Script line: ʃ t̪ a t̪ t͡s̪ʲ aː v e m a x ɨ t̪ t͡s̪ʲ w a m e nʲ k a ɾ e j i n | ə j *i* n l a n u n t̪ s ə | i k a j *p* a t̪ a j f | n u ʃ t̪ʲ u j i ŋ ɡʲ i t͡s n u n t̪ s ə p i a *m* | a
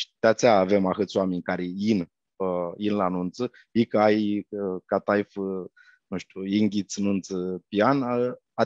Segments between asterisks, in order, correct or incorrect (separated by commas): correct, incorrect, incorrect